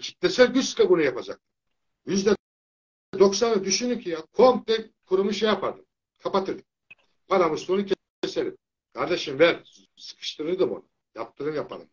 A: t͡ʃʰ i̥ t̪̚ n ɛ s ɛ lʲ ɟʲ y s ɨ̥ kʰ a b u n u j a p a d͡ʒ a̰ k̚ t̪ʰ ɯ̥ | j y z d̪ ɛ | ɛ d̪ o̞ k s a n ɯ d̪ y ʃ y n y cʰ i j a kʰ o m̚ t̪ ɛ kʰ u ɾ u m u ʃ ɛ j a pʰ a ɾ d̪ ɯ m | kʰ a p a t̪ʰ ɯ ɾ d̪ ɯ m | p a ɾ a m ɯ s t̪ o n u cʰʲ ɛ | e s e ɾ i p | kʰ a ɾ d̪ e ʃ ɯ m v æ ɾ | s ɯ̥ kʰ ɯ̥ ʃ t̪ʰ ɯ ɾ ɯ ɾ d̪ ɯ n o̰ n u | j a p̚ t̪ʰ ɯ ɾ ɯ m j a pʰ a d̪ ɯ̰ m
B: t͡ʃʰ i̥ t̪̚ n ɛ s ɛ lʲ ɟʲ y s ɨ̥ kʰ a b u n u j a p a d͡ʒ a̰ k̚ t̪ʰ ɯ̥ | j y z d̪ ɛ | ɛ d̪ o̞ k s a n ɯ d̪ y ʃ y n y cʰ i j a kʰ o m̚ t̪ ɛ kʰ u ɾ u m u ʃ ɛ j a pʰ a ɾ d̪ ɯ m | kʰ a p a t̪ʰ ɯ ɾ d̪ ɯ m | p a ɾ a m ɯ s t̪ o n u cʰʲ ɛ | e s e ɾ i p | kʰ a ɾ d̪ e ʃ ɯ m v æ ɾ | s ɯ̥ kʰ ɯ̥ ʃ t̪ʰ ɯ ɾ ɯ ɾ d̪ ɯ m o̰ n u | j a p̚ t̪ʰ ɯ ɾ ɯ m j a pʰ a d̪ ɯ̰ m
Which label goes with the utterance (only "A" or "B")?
B